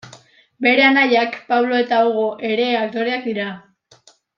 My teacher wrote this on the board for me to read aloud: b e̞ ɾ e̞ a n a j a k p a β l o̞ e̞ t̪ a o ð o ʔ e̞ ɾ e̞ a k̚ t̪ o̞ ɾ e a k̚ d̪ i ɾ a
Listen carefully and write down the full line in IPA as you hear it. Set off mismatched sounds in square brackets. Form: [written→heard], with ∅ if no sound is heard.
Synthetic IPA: b e̞ ɾ e̞ a n a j a k p a β l o̞ e̞ t̪ a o [ð→ɣ] o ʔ e̞ ɾ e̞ a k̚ t̪ o̞ ɾ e a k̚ d̪ i ɾ a